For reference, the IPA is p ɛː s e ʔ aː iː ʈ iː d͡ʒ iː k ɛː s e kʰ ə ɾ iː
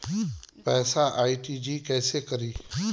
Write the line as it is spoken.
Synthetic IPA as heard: p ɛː s a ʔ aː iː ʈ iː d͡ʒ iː k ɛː s e k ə ɾ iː

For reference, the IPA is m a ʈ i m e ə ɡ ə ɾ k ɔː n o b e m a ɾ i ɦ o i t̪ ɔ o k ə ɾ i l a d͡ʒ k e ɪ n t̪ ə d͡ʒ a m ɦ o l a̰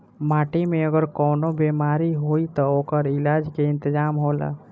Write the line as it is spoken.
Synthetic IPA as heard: m a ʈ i m e ə ɡ ə ɾ k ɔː n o b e m a ɾ i ɦ o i t̪ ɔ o k ə ɾ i l a d͡ʒ k e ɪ n t̪ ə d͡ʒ a m ɦ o l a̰

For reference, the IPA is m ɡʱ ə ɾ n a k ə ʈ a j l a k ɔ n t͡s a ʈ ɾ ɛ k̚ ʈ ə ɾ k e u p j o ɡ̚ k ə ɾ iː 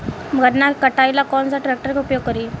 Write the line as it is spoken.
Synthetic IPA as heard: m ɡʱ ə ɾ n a k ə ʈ a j l a k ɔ n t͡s a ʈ ɾ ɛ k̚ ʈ ə ɾ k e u p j o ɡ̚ k ə ɾ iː

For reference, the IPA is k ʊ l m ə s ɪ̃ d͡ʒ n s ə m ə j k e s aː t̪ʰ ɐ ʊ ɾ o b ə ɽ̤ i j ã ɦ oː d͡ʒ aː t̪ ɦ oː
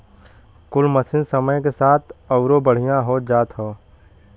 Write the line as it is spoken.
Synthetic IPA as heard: k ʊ l m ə s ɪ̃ n s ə m ə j k e s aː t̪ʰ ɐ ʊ ɾ o b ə ɽ̤ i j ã ɦ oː d͡ʒ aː t̪ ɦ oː

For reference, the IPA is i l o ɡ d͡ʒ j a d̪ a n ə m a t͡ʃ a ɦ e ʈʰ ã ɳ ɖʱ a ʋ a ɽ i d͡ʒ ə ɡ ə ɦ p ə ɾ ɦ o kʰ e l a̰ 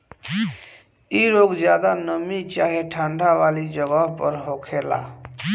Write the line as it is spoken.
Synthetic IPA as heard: i ɾ o ɡ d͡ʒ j a d̪ a n ə m i t͡ʃ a ɦ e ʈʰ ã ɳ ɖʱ a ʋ a l i d͡ʒ ə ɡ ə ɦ p ə ɾ ɦ o kʰ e l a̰

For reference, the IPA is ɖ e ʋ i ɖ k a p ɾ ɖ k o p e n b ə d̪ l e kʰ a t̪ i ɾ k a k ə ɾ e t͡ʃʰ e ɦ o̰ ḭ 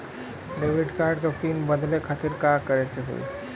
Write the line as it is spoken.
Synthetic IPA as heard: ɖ e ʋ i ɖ k a ɾ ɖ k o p i n b ə d̪ l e kʰ a t̪ i ɾ k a k ə ɾ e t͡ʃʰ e ɦ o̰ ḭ

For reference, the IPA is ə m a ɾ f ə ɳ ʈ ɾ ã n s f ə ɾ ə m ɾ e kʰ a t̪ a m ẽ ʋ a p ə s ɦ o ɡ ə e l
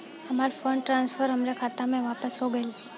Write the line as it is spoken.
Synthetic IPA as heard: ə m a ɾ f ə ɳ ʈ ɾ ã n s f ə ɾ ə m ɾ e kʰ a t̪ a m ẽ ʋ a p ə s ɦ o ɡ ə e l

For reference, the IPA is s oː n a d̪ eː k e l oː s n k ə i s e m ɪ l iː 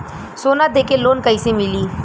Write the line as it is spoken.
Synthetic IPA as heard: s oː n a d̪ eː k e l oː n k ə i s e m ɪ l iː

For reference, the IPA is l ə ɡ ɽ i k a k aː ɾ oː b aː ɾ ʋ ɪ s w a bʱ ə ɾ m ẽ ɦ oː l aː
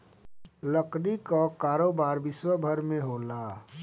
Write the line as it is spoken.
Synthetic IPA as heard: l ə k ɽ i k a k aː ɾ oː b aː ɾ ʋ ɪ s w ə bʱ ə ɾ m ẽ ɦ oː l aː

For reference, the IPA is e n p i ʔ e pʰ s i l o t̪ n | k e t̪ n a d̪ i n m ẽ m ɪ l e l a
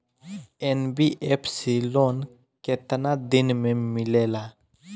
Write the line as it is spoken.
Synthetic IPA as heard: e n b i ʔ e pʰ s i l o n | k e t̪ n a d̪ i n m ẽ m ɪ l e l a

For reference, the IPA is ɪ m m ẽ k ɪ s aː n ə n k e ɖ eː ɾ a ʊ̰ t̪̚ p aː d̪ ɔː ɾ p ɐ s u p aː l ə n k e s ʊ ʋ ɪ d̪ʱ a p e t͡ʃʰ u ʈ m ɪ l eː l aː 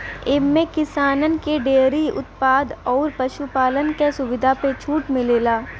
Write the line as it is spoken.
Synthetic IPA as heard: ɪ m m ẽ k ɪ s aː n ə n k e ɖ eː ɾ i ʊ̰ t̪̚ p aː d̪ ɔː ɾ p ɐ ʃ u p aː l ə n k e s ʊ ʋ ɪ d̪ʱ a p e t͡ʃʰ uː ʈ m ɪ l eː l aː

